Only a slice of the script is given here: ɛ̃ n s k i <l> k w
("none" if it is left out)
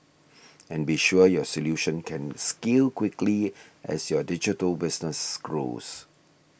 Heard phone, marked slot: l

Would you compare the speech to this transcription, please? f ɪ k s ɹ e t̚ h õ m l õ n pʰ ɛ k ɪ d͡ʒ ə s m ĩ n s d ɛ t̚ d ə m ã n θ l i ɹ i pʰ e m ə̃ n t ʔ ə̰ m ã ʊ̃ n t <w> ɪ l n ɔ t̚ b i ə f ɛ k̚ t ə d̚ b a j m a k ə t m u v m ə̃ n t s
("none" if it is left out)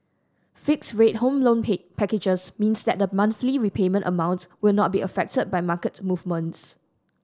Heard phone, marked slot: w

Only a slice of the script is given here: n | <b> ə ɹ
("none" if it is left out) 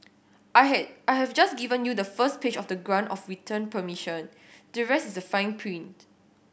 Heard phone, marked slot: d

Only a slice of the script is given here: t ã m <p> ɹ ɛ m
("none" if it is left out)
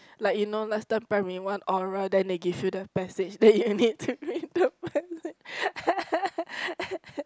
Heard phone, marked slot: p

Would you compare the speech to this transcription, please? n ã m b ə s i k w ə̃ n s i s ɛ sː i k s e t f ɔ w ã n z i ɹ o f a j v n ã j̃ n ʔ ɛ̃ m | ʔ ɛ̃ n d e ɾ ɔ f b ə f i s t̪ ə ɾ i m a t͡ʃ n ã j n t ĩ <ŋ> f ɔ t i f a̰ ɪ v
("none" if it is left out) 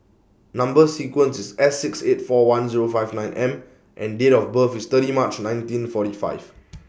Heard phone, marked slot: n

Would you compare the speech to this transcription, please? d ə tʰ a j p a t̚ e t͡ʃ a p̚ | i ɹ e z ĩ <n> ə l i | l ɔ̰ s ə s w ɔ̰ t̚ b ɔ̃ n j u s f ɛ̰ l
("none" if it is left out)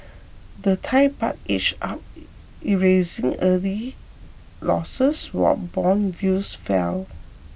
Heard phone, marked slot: ŋ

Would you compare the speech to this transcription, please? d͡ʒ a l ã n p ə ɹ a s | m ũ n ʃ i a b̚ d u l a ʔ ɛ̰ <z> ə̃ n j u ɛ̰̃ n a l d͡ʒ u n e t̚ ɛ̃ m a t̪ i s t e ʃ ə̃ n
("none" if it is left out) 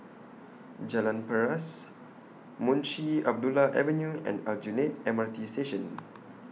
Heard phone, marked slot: v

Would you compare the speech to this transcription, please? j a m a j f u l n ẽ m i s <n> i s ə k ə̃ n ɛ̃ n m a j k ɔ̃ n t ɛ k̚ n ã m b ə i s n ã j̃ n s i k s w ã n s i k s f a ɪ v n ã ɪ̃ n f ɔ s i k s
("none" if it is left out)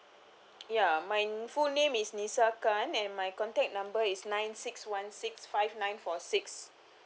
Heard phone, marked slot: n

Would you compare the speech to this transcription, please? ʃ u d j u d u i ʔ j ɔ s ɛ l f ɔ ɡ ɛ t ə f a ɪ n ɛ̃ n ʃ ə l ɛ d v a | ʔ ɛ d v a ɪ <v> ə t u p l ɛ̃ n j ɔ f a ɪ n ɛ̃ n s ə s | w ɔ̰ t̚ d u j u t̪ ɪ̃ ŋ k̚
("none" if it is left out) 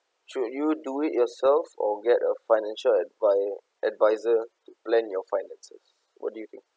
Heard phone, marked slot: z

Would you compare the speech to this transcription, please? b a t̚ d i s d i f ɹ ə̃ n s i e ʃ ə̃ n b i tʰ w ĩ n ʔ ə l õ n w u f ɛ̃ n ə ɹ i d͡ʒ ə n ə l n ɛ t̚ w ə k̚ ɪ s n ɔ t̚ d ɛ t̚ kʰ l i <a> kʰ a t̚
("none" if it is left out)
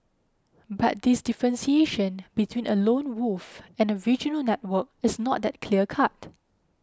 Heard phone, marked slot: ə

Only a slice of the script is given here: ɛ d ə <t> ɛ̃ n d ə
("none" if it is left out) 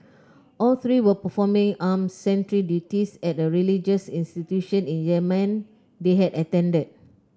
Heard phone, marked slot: t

